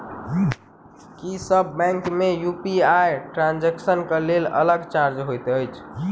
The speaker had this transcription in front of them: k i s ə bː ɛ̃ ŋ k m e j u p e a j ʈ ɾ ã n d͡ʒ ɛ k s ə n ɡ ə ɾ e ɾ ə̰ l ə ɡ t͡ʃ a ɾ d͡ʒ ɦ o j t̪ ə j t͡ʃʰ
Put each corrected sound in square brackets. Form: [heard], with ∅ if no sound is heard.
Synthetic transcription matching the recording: k i s ə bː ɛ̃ ŋ k m e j u p [i] a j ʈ ɾ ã n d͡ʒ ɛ k s ə n [k] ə [l] e [l] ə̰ l ə ɡ t͡ʃ a ɾ d͡ʒ ɦ o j t̪ ə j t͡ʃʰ